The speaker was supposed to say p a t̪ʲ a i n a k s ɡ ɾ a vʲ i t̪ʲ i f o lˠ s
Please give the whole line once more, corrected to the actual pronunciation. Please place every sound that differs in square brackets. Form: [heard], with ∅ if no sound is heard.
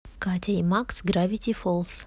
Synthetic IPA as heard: [k] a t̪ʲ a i [m] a k s ɡ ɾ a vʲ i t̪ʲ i f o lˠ s